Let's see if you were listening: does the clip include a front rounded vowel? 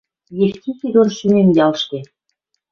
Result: yes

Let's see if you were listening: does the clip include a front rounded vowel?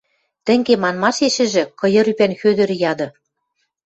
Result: yes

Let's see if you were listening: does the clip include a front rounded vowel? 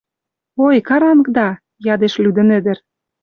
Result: yes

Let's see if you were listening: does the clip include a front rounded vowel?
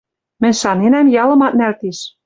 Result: no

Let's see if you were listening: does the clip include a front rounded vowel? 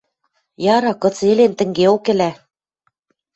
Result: no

